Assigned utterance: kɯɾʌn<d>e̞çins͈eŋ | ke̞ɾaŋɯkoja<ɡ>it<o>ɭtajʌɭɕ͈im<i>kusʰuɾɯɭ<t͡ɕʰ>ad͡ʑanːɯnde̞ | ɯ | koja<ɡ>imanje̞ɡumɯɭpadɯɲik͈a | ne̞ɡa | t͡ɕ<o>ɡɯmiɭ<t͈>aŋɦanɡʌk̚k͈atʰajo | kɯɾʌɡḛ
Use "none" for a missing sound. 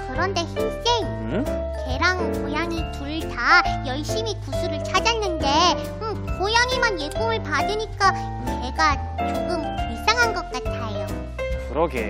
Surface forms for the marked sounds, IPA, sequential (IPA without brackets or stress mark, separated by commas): d, ŋ, u, i, t͡ɕʰ, ŋ, o, s͈